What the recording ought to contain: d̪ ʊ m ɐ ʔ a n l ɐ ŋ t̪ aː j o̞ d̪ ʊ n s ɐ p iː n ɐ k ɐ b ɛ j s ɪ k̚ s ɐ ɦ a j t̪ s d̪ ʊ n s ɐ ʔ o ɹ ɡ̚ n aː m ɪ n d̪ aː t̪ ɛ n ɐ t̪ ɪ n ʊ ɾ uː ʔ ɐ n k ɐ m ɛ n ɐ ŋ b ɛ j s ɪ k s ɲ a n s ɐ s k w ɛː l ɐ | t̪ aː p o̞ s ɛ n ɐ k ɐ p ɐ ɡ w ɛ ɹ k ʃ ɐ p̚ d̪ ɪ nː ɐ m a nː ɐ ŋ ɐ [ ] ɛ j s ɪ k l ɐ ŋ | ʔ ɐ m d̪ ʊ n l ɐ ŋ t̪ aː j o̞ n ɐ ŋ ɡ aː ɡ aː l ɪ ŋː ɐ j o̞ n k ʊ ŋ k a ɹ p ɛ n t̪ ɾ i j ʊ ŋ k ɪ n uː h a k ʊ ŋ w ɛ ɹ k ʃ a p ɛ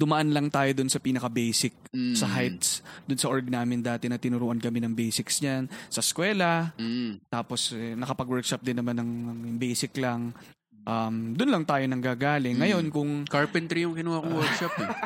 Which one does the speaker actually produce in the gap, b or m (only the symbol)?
b